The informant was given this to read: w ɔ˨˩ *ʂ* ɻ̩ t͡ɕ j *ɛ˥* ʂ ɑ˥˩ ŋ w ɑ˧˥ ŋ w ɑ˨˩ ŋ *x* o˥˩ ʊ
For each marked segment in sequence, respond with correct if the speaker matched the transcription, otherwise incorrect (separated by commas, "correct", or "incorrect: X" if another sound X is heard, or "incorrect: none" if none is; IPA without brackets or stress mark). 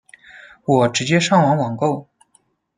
incorrect: ʈ͡ʂ, correct, incorrect: k